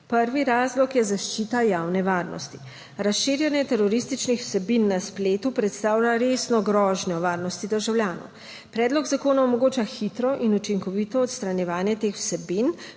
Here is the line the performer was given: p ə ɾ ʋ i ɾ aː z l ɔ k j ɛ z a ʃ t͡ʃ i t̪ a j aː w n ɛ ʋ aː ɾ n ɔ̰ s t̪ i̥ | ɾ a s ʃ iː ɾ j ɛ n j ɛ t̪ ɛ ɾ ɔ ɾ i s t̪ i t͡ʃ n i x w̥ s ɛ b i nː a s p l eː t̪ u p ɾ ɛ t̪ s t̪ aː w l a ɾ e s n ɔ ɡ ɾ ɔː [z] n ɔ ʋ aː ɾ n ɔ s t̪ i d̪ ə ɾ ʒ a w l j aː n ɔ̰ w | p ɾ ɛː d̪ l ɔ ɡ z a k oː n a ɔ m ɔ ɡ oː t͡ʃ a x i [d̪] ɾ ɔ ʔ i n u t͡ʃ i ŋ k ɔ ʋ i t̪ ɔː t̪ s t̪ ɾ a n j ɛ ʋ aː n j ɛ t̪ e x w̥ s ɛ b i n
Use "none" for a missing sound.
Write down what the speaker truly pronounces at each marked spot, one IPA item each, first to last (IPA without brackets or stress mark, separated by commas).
ʒ, t̪